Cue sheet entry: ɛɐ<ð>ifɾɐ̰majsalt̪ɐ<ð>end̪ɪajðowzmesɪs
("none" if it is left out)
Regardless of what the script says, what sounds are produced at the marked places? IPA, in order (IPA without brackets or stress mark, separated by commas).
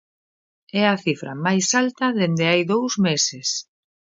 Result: θ, ð